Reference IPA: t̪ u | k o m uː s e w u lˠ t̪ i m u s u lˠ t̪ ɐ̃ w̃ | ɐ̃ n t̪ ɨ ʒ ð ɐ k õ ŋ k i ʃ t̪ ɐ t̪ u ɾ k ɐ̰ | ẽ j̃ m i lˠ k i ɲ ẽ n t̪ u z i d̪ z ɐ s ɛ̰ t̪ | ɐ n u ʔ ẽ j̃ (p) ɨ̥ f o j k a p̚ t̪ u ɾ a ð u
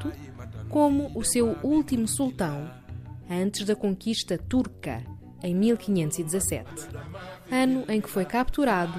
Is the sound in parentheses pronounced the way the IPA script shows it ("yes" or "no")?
no